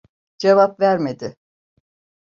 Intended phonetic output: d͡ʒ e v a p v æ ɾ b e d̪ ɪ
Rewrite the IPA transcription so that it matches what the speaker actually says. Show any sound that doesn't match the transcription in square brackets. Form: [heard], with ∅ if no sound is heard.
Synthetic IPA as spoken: d͡ʒ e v a p v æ ɾ [m] e d̪ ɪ